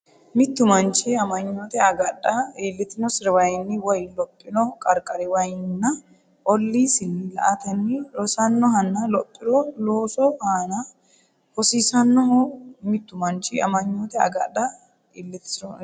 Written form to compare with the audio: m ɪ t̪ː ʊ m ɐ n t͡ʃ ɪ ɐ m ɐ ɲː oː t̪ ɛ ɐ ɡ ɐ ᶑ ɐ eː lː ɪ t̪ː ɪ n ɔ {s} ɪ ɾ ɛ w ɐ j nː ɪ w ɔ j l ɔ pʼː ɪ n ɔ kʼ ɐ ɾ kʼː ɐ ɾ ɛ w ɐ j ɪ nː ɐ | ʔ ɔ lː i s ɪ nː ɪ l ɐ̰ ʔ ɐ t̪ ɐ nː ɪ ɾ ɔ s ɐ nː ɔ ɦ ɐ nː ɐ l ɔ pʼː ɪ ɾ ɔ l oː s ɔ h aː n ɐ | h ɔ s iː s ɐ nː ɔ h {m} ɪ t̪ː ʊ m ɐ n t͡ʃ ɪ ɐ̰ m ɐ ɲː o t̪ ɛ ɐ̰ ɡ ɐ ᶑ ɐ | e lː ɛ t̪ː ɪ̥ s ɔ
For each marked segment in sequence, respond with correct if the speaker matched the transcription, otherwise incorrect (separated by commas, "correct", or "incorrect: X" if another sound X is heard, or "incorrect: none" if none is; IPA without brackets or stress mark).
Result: correct, correct